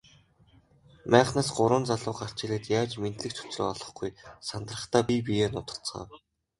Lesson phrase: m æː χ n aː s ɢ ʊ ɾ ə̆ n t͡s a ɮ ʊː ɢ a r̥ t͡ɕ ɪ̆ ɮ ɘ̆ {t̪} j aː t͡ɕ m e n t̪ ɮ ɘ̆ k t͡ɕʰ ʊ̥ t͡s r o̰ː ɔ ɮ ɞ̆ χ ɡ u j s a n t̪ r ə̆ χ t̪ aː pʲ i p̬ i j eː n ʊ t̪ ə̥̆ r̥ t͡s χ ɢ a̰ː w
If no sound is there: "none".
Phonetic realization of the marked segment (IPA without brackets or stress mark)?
t̪